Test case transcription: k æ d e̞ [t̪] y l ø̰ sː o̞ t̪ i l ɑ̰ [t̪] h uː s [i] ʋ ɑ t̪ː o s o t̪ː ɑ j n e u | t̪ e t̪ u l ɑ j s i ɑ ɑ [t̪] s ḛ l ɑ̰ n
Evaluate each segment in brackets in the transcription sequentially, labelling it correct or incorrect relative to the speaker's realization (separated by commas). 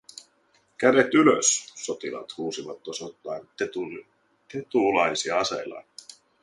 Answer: correct, correct, correct, incorrect